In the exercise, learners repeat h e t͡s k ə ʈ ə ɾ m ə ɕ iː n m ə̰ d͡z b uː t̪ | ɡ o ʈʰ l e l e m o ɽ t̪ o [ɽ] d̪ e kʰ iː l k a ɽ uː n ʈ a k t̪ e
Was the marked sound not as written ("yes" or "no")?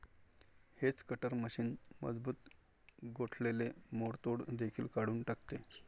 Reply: no